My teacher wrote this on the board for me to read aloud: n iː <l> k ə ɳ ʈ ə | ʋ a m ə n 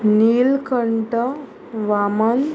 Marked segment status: correct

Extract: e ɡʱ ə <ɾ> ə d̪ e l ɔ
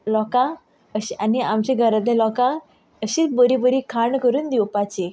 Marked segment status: correct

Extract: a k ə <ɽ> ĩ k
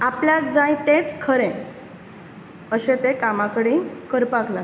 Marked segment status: correct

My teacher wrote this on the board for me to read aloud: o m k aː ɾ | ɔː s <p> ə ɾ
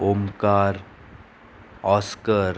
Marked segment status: incorrect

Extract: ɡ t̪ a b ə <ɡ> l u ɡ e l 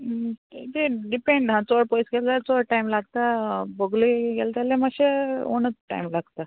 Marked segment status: correct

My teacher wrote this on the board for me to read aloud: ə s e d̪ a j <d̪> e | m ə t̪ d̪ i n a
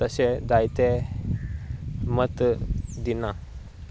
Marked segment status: incorrect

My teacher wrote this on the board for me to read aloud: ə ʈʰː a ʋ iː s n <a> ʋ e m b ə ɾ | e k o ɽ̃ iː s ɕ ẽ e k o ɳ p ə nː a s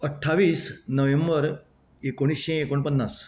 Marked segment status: incorrect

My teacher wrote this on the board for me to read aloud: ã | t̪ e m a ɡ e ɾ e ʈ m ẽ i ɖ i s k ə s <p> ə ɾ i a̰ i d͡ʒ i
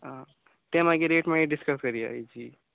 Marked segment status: incorrect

